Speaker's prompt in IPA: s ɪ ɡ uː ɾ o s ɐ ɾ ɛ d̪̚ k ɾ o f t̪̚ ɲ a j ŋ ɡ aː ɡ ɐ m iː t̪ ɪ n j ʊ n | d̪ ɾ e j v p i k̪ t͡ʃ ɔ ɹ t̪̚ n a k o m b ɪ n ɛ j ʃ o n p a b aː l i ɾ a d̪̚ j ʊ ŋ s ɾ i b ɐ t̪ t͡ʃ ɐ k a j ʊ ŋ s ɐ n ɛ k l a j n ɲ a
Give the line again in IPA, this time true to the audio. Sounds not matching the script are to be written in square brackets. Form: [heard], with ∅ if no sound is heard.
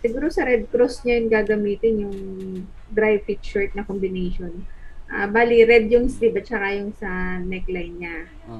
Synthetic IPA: s ɪ ɡ uː ɾ o s ɐ ɾ ɛ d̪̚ k ɾ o [s] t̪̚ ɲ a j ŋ ɡ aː ɡ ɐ m iː t̪ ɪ n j ʊ [ŋ] | d̪ ɾ [a] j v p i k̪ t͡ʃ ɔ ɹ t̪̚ n [ɐ] k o m b ɪ n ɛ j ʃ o n [ʔ] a b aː l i ɾ [ɛ] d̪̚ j ʊ ŋ s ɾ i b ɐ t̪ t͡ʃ ɐ k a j ʊ ŋ s ɐ n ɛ k l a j n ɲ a